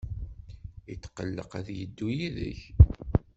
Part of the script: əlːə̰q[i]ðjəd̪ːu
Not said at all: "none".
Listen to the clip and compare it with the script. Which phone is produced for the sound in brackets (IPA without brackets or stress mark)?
æ